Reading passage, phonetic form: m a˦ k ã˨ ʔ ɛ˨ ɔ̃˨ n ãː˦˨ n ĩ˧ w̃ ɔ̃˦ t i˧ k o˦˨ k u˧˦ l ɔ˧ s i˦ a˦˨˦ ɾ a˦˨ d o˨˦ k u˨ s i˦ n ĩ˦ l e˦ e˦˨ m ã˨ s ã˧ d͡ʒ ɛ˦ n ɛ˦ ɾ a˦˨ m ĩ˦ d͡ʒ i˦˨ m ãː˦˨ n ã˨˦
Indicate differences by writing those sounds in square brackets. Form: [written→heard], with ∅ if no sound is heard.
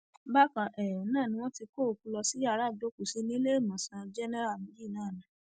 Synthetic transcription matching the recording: [m→b] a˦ k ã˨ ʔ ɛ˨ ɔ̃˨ n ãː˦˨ n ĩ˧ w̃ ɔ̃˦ t i˧ k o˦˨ k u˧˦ l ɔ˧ s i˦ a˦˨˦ ɾ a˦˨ d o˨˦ k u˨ s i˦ n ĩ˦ l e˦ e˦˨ m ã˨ s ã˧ d͡ʒ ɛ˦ n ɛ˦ ɾ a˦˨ m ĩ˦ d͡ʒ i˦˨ [m→n] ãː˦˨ n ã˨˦

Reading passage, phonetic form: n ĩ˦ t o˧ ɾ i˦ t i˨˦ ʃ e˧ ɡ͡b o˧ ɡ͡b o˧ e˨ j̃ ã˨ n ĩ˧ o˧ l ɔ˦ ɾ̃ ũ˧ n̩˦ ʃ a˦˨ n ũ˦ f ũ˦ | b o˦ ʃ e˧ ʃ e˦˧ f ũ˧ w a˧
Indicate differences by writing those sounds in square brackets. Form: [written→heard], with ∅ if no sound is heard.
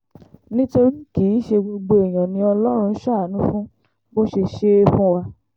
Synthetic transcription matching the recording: n ĩ˦ t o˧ ɾ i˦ [t→k] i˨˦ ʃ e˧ ɡ͡b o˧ ɡ͡b o˧ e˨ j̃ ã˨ n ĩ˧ [o˧→ɔ˧] l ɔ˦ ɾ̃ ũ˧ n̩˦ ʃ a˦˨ n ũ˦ f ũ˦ | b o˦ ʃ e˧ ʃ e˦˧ f ũ˧ w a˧

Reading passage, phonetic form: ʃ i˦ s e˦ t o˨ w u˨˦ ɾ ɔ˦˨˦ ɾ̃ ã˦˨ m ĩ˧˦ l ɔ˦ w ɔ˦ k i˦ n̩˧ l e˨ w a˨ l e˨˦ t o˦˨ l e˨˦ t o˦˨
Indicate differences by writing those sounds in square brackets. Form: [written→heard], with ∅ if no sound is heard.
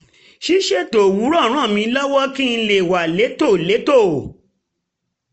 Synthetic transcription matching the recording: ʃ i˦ [s→ʃ] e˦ t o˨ w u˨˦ ɾ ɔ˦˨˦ ɾ̃ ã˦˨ m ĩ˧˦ l ɔ˦ w ɔ˦ k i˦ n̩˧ l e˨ w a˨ l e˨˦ t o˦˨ l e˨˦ t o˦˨

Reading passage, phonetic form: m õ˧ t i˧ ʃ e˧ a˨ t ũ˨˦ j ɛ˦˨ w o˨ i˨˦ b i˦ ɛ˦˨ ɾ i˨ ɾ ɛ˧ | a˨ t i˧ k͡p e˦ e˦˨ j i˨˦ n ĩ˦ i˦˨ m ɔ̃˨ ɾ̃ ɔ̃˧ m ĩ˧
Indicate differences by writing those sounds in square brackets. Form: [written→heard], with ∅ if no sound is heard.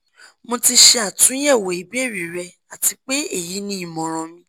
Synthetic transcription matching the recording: m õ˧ t i˧ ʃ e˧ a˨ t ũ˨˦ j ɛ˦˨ w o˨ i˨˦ b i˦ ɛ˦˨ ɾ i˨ ɾ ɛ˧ | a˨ t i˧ k͡p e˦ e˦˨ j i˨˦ n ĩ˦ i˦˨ m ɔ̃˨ ɾ̃ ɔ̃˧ m ĩ˧

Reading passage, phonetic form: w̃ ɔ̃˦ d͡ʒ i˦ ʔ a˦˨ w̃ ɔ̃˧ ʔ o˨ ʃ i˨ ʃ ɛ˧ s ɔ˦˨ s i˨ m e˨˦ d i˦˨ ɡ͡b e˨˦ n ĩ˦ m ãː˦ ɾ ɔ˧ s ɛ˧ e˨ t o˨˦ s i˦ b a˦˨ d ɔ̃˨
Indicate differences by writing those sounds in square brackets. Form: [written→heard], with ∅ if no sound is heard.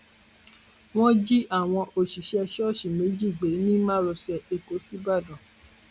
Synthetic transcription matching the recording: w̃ ɔ̃˦ d͡ʒ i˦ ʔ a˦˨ w̃ ɔ̃˧ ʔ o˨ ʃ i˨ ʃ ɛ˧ [s→ʃ] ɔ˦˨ [s→ʃ] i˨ m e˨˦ [d→d͡ʒ] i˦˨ ɡ͡b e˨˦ n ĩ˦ m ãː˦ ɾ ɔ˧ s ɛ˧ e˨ [t→k] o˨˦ s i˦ b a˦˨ d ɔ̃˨

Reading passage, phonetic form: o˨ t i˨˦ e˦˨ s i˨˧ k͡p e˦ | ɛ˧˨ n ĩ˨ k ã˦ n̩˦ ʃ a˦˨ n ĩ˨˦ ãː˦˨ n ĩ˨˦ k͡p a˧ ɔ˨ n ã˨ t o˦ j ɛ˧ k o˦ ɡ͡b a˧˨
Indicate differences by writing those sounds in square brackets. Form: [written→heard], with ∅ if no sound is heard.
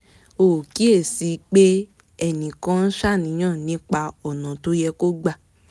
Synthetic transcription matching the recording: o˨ [t→k] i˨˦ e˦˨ s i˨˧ k͡p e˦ | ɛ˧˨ n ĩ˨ k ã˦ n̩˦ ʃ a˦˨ n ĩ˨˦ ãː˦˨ n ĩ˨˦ k͡p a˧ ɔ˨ n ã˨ t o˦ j ɛ˧ k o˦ ɡ͡b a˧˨

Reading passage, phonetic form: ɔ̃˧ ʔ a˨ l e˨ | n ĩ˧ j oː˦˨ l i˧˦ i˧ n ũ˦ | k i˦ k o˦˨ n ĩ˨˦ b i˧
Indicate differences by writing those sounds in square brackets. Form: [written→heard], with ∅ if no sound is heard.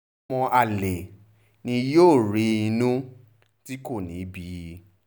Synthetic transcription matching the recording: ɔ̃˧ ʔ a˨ l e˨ | n ĩ˧ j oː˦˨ [l→ɾ] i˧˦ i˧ n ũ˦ | [k→t] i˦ k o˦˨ n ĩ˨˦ b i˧

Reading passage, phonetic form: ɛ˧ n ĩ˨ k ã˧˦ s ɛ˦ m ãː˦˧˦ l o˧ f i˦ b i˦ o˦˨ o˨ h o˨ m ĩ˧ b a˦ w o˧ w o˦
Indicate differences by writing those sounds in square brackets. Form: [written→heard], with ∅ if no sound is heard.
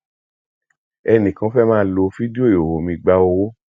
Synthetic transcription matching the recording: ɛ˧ n ĩ˨ k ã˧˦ [s→f] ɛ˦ m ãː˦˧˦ l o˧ f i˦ [b→d] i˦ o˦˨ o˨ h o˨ m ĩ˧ [b→ɡ͡b] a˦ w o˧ w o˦

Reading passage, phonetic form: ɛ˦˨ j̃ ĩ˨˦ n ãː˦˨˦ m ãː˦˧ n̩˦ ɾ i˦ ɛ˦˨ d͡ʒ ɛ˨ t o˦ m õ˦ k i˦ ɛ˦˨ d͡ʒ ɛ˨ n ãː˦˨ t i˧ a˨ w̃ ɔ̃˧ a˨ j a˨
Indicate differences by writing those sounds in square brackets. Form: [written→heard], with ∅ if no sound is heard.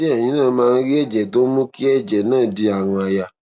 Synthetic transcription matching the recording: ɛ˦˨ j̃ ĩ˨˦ n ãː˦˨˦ m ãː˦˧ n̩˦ ɾ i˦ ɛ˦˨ d͡ʒ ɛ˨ t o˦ m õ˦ k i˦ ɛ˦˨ d͡ʒ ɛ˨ n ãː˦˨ [t→d] i˧ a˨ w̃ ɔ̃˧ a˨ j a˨

